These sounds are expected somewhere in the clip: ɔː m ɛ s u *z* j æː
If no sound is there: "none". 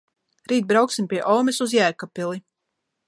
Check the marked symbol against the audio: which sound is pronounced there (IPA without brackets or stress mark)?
z